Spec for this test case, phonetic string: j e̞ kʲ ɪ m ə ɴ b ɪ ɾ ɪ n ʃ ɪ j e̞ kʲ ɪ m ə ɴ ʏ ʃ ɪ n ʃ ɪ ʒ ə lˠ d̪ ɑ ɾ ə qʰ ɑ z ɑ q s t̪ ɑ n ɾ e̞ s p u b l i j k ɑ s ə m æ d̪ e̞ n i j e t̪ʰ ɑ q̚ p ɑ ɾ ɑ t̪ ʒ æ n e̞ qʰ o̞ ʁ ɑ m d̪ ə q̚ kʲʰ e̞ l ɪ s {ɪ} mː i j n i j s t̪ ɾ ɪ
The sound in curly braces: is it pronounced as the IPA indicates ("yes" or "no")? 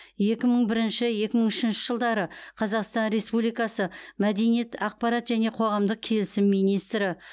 yes